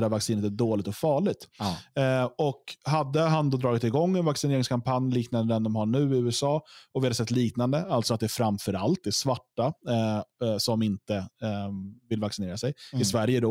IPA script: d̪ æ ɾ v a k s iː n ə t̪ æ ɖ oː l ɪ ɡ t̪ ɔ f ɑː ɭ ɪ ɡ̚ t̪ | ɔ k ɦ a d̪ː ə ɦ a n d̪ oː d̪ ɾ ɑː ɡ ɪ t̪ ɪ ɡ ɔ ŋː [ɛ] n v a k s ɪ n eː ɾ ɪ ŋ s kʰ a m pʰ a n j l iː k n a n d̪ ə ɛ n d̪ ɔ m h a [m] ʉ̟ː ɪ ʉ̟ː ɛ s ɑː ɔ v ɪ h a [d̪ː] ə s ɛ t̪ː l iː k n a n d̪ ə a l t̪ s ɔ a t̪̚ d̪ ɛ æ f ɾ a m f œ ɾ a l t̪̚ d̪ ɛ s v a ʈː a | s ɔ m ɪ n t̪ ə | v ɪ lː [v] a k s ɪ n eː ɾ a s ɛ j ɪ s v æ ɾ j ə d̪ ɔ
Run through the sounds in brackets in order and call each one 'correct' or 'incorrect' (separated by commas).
correct, incorrect, incorrect, correct